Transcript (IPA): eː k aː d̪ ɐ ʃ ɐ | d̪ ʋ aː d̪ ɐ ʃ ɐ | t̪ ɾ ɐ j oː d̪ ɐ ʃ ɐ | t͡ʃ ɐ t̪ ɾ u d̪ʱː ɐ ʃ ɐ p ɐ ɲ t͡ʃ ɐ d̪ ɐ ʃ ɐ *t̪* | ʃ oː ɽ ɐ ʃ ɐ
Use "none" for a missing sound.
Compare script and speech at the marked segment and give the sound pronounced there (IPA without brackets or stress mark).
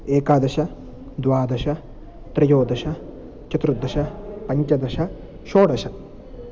none